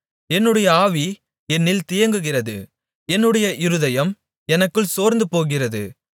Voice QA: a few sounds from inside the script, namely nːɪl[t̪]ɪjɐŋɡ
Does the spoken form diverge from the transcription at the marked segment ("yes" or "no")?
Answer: no